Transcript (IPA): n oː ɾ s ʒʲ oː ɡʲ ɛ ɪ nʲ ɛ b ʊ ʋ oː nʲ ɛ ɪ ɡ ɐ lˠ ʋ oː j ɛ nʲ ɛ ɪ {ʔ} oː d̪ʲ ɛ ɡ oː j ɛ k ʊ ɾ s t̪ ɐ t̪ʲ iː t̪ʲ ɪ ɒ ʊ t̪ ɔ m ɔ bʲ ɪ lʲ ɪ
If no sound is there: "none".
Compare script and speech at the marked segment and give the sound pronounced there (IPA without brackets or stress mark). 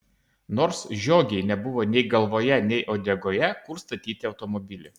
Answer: ʔ